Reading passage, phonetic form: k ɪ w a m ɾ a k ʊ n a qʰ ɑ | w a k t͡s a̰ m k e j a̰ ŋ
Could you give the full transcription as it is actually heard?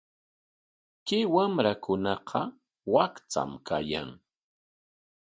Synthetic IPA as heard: k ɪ w a m ɾ a k ʊ n ɑ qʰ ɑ | w a k t͡s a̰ m k a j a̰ ŋ